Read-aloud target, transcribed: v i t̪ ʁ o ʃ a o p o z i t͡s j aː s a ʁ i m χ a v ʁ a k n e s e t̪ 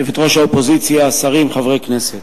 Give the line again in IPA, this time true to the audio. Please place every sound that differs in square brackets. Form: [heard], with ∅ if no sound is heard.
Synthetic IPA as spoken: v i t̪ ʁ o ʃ a o p o z i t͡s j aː s a ʁ i m χ a v ʁ [e] k n e s e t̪